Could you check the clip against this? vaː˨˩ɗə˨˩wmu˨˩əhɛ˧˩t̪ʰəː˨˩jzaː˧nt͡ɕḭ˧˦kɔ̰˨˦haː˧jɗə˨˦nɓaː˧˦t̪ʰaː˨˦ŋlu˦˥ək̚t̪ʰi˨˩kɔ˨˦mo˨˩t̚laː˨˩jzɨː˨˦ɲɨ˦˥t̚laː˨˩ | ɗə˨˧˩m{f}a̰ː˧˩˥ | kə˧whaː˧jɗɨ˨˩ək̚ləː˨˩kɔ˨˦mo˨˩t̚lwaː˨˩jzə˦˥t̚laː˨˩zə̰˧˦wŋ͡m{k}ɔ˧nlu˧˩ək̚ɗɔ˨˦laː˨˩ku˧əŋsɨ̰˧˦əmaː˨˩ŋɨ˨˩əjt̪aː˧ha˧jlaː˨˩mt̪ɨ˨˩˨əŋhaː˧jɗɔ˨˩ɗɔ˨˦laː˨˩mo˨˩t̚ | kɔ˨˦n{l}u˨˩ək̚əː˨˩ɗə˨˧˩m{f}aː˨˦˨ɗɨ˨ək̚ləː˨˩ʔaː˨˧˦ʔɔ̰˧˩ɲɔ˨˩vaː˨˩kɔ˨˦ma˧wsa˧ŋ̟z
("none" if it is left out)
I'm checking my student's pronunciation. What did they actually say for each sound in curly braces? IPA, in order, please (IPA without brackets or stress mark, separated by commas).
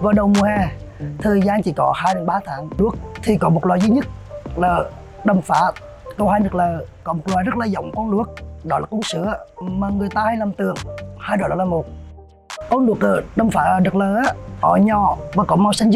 f, k, l, f